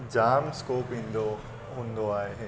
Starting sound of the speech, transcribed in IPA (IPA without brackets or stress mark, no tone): d͡ʒ